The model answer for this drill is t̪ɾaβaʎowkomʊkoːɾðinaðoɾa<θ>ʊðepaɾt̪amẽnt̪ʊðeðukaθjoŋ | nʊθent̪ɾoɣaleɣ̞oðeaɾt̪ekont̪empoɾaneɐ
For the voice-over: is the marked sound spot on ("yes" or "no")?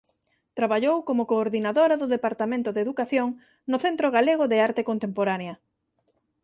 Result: no